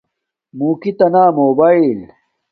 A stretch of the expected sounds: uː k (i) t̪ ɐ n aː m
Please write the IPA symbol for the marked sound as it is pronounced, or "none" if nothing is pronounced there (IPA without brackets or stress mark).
i